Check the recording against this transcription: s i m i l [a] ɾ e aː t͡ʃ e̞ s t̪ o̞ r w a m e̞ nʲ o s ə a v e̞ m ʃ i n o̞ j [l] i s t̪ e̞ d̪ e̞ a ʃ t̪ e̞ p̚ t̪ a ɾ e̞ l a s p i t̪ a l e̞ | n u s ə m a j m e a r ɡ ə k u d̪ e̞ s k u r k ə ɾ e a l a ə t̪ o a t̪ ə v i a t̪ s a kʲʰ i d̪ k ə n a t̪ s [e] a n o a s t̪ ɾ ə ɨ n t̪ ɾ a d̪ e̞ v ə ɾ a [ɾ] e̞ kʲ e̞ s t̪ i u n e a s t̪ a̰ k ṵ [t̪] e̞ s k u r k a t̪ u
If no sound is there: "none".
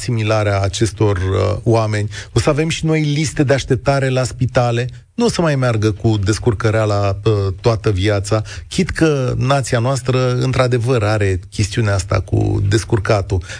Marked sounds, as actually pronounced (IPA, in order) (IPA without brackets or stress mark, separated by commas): a, l, i, ɾ, d̪